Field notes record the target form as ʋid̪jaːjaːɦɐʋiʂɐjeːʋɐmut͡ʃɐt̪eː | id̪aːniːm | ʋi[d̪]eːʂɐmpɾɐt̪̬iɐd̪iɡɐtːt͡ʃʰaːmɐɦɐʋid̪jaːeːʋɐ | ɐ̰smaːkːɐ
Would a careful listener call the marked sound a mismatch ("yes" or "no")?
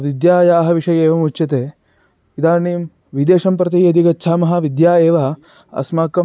no